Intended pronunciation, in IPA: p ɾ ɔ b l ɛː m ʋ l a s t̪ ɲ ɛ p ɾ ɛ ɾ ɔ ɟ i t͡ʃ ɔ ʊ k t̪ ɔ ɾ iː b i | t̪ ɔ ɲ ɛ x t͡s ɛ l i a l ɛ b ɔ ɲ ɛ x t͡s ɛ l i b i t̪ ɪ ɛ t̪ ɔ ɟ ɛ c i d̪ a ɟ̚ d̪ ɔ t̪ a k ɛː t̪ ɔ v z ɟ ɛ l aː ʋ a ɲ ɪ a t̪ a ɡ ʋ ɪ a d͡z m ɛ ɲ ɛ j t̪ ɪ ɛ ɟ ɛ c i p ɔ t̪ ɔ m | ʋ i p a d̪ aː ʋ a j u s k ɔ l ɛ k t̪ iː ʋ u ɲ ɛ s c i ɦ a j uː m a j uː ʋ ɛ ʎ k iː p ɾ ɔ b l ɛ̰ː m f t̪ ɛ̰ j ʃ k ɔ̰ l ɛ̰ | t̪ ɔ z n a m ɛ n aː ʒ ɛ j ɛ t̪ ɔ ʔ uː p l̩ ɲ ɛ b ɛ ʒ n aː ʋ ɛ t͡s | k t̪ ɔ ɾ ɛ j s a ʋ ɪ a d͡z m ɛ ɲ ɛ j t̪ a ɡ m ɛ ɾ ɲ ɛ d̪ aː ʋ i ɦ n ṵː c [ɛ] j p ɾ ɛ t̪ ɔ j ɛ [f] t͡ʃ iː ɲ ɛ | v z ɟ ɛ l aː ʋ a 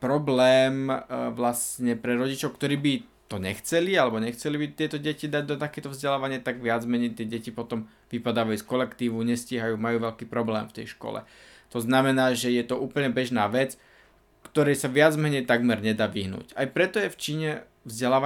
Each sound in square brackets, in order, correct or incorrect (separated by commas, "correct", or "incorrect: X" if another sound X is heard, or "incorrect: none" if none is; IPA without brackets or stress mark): incorrect: a, correct